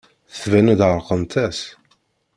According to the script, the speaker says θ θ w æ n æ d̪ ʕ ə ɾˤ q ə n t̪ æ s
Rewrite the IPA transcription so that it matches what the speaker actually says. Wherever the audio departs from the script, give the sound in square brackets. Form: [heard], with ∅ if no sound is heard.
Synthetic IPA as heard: θ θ [v] æ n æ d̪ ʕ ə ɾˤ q ə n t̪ æ s